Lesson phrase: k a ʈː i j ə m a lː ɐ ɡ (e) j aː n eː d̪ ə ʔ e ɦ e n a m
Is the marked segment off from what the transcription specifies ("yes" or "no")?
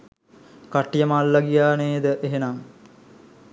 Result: yes